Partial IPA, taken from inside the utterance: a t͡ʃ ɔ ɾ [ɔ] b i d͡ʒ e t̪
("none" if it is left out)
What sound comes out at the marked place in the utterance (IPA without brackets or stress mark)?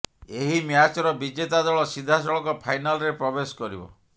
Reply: ɔ